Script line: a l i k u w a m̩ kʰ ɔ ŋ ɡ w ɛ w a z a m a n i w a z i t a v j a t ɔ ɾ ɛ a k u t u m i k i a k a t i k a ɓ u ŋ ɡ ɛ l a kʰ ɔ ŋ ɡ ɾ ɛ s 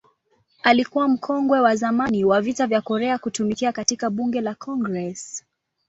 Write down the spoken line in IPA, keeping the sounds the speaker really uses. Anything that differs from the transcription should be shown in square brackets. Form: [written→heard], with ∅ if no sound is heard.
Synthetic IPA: a l i k u w a m̩ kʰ ɔ ŋ ɡ w ɛ w a z a m a n i w a [z→v] i t a v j a [t→k] ɔ ɾ ɛ a k u t u m i k i a k a t i k a ɓ u ŋ ɡ ɛ l a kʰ ɔ ŋ ɡ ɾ ɛ s